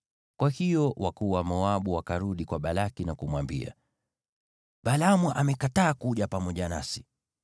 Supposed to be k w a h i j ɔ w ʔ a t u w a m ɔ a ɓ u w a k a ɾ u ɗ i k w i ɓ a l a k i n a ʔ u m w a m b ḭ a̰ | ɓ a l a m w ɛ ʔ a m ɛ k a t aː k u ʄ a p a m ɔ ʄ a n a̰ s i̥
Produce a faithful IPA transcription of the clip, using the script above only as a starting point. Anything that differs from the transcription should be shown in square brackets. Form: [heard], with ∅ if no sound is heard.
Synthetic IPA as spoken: k w a h i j ɔ w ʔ a [k] u w a m ɔ a ɓ u w a k a ɾ u ɗ i k w [a] ɓ a l a k i n a [k] u m w a m b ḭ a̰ | ɓ a l a m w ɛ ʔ a m ɛ k a t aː k u ʄ a p a m ɔ ʄ a n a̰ s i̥